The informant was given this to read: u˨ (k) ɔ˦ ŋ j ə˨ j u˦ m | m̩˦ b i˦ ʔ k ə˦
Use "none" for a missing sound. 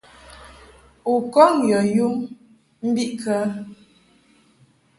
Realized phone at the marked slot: k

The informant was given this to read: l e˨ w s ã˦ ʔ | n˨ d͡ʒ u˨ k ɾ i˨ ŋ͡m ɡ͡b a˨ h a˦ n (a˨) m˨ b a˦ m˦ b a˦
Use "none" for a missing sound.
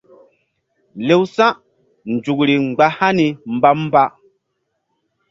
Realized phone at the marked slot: i˨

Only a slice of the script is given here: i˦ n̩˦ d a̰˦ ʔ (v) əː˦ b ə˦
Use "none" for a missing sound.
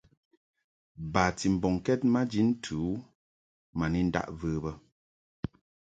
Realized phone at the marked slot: v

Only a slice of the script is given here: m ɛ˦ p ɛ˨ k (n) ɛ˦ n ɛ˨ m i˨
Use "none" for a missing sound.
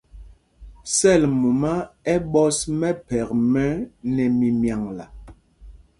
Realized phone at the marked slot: m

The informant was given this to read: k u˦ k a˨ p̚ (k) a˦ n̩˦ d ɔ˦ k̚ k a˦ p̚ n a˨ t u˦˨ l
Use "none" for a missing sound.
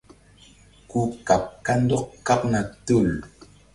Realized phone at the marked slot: k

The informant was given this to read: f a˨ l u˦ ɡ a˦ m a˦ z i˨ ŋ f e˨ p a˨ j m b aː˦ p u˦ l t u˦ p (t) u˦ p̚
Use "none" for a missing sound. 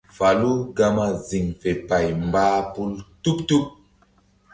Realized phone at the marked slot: t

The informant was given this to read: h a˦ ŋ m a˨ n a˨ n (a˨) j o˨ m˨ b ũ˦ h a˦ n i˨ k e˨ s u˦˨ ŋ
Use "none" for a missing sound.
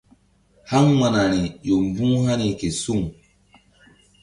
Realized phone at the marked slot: i˨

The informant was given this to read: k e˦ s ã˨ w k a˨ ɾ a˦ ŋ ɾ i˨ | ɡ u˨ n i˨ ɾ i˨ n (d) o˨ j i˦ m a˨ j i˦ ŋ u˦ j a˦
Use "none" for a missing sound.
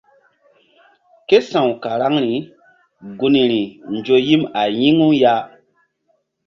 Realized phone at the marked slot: d͡ʒ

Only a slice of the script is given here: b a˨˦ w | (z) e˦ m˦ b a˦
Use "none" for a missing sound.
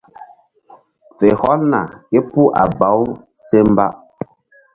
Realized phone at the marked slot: s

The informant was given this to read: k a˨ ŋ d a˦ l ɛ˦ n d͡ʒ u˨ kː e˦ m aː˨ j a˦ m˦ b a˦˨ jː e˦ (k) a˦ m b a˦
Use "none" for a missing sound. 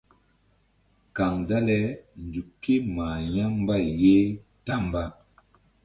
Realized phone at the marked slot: t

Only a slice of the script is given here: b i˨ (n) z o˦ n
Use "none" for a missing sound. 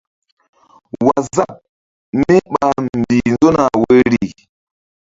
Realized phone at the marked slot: n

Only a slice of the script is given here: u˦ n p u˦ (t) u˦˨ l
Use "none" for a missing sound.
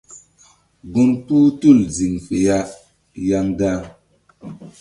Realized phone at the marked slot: t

